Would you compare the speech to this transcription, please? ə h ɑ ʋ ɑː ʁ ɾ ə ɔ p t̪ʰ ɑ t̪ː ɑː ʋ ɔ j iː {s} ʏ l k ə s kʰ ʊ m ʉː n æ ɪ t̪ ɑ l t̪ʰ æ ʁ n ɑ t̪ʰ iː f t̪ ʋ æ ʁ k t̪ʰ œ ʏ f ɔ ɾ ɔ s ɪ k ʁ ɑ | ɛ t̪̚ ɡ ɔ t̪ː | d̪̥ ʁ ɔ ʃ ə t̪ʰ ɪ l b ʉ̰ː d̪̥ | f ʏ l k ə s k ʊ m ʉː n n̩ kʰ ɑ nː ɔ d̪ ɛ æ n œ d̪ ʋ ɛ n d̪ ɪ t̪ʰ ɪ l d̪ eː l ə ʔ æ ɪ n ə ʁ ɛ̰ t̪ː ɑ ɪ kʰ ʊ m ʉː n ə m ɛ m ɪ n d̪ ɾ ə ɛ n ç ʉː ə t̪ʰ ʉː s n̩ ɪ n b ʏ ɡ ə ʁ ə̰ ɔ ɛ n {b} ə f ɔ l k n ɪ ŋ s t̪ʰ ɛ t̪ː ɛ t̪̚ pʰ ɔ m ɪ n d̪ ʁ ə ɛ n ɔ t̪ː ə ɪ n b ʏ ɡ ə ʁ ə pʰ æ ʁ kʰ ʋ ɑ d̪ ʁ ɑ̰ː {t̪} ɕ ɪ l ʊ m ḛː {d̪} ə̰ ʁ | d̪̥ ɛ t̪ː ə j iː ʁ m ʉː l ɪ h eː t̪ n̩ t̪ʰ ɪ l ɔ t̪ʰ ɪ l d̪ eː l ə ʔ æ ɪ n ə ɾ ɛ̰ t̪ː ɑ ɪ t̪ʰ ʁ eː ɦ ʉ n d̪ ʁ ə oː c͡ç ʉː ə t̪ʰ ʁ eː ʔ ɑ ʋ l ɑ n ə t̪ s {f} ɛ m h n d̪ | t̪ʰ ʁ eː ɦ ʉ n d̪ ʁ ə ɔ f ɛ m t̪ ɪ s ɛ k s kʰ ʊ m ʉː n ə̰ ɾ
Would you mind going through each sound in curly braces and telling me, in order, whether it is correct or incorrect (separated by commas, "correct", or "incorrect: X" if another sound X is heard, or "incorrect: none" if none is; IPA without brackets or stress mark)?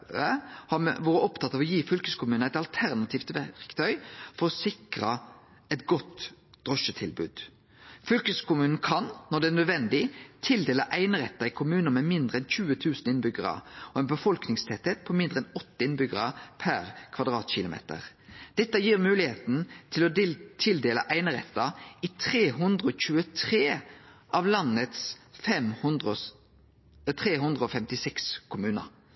incorrect: f, correct, correct, incorrect: t̪, correct